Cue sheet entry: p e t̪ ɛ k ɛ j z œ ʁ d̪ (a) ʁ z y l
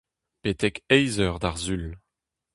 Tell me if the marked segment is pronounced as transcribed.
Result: yes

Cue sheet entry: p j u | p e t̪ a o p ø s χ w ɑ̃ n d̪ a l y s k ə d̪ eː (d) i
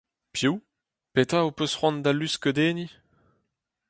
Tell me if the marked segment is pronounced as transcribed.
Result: no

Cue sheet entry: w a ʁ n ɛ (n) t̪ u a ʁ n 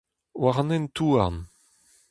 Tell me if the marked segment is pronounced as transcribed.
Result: yes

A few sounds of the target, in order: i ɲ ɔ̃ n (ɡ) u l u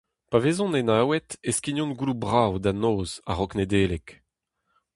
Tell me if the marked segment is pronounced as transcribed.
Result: yes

